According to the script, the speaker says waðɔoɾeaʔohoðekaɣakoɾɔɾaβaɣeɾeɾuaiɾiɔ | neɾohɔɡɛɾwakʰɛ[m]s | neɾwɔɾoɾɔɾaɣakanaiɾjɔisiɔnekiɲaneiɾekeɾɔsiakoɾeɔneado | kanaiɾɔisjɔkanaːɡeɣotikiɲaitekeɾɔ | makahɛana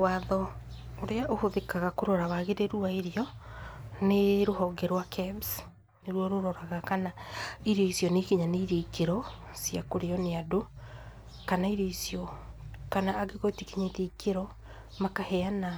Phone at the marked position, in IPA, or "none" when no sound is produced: b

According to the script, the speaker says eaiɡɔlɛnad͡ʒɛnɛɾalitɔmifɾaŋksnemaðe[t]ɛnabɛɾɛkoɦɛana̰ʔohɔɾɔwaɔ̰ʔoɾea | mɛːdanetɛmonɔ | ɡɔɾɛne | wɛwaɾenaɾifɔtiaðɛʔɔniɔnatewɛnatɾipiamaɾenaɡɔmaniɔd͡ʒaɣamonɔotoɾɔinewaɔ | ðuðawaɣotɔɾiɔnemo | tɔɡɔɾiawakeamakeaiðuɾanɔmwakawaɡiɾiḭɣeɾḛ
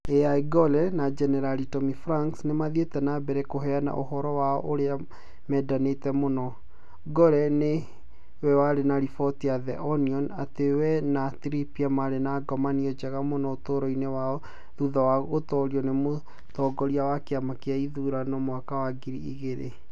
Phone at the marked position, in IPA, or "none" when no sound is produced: t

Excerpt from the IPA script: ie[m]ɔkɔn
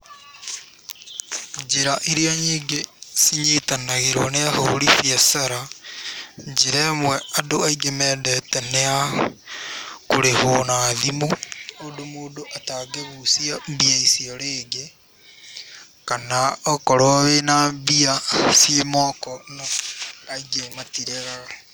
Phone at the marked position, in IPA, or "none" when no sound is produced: m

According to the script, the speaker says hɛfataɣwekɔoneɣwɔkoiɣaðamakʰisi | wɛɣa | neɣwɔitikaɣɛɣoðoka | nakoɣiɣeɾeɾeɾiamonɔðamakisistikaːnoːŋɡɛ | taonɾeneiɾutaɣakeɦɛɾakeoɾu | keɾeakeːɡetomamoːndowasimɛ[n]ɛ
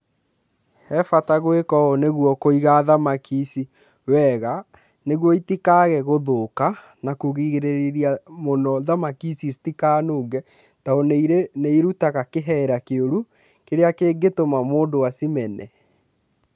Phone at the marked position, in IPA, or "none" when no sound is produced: n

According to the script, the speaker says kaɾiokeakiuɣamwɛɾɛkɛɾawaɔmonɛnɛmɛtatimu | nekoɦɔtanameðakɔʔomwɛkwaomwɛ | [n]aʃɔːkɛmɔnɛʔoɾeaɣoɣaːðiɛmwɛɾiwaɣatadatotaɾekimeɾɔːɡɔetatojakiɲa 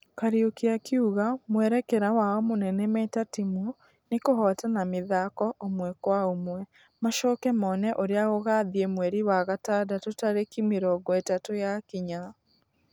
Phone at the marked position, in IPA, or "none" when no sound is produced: m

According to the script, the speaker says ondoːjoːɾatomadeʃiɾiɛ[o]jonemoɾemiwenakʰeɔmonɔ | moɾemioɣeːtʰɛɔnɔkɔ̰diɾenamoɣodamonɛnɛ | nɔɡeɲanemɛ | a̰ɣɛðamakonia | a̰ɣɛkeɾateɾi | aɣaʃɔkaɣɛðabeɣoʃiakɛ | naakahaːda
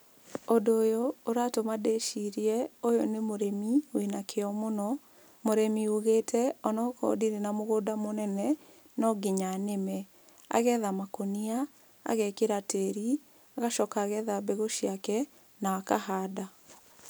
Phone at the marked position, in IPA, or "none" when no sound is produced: o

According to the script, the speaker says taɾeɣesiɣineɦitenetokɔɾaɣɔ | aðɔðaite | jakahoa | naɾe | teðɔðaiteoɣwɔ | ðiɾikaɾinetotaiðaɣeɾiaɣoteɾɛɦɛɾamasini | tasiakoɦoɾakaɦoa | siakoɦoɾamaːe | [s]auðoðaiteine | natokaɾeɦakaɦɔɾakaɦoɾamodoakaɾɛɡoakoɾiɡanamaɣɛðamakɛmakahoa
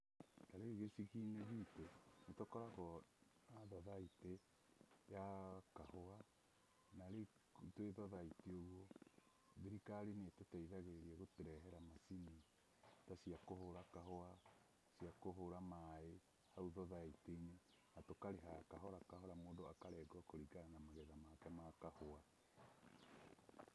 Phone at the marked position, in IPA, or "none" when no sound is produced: h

